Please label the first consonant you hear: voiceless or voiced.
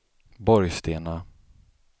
voiced